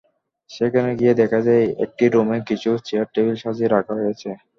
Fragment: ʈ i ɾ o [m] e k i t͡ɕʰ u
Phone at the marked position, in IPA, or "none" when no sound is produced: m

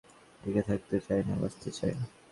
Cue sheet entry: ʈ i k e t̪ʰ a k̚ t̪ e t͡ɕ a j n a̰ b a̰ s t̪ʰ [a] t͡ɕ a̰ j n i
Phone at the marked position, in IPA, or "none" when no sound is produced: e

